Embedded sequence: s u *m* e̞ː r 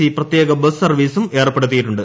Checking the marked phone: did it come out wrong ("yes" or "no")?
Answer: no